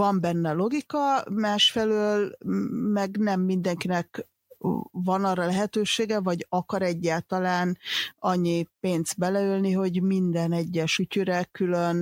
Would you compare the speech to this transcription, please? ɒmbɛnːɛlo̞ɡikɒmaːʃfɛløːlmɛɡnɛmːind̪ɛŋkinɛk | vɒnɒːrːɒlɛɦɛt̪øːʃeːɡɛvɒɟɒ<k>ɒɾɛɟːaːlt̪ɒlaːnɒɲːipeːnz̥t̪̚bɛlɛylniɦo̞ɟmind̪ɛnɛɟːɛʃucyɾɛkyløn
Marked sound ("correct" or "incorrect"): correct